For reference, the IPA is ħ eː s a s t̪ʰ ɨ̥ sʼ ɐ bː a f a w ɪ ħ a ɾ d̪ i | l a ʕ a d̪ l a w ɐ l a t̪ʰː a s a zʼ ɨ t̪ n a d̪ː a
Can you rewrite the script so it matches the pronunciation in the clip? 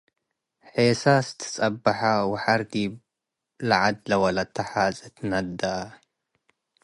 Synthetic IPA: ħ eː s a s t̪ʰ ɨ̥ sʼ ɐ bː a ħ a w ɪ ħ a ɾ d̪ i | l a ʕ a d̪ l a w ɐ l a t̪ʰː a ħ a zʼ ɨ t̪ n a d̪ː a